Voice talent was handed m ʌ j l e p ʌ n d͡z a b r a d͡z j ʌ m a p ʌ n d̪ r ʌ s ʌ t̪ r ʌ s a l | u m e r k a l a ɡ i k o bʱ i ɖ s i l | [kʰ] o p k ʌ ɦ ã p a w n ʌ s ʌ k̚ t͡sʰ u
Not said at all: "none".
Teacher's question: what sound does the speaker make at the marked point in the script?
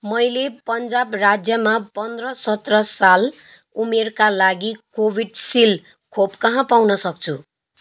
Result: kʰ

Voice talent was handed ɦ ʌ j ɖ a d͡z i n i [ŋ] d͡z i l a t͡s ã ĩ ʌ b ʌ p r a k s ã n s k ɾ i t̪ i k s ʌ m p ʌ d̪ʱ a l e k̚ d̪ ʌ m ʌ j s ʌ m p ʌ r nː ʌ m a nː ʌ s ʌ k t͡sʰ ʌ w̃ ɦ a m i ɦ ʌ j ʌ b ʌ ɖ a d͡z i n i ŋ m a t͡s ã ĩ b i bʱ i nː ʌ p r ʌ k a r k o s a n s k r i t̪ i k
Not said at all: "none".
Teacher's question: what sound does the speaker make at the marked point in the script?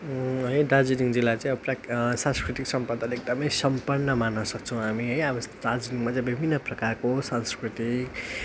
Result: ŋ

